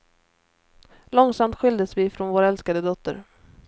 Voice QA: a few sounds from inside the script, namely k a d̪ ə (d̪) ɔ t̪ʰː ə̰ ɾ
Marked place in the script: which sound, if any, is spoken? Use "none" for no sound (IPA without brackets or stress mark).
d̪